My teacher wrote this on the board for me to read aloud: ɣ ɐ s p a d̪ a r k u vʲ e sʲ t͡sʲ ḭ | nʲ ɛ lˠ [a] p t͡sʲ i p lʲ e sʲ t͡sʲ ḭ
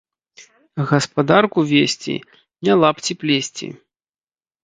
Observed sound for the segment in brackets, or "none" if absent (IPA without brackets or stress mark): a